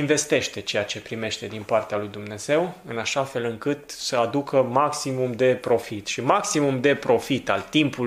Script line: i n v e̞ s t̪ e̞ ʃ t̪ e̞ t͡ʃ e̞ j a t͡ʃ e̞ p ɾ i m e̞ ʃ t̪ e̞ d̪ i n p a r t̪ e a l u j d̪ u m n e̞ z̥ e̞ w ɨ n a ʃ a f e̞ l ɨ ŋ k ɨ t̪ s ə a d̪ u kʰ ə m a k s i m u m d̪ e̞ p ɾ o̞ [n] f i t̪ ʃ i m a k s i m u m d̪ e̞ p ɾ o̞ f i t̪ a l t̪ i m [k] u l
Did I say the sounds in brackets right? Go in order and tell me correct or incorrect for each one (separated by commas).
incorrect, incorrect